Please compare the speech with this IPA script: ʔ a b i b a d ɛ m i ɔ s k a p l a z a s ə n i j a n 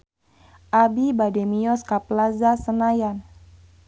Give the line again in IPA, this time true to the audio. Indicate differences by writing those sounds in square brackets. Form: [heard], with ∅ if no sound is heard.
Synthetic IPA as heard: ʔ a b i b a d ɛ m i ɔ s k a p l a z a s ə n [a] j a n